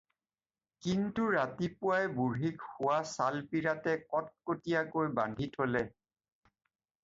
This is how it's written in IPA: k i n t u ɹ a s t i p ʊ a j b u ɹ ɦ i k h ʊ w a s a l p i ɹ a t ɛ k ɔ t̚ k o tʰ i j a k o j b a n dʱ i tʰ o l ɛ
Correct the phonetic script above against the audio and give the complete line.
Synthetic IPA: k i n t u ɹ a t i p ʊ a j b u ɹ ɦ i k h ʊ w a s a l p i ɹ a t ɛ k ɔ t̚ k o t i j a k o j b a n dʱ i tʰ o l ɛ